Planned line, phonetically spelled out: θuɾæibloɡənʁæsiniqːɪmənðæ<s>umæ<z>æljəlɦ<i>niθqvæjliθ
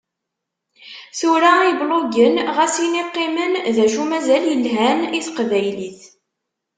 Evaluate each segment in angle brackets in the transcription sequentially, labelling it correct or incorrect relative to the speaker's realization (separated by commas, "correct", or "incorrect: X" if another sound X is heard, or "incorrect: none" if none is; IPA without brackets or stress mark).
incorrect: ʃ, correct, incorrect: æ